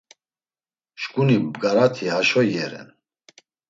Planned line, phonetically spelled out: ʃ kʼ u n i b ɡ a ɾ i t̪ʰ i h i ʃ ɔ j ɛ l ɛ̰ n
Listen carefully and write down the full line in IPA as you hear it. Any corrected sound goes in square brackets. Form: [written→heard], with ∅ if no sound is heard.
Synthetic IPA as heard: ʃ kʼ u n i b ɡ a ɾ [i→a] t̪ʰ i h [i→a] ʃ ɔ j ɛ [l→ɾ] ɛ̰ n